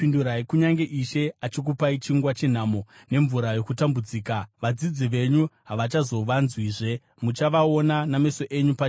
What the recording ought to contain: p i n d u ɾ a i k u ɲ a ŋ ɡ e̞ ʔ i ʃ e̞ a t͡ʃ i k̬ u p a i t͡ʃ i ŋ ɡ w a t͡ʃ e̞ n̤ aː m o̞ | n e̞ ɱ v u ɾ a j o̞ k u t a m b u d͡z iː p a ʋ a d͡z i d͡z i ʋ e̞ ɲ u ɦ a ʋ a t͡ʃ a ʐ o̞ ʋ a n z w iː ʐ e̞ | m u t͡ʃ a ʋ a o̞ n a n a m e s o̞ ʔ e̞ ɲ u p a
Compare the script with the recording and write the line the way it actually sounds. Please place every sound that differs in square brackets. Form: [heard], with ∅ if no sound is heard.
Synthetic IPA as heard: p i n d u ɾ a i k u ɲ a ŋ ɡ e̞ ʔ i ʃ e̞ a t͡ʃ i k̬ u p a i t͡ʃ i ŋ ɡ w a t͡ʃ e̞ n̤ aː m o̞ | n e̞ ɱ v u ɾ a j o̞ k u t a m b u d͡z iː [k] a ʋ a d͡z i d͡z i ʋ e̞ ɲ u ɦ a ʋ a t͡ʃ a [z] o̞ ʋ a n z w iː ʐ e̞ | m u t͡ʃ a ʋ a o̞ n a n a m e s o̞ ʔ e̞ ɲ u p a